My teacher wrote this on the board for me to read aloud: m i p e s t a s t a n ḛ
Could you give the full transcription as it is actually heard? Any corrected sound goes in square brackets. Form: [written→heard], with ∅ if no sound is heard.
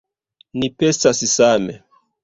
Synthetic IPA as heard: [m→n] i p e s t a s [t→s] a [n→m] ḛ